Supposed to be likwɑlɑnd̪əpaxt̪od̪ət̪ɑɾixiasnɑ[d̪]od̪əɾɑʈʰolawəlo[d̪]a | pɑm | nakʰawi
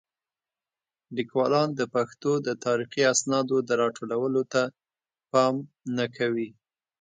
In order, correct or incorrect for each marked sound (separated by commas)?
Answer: correct, incorrect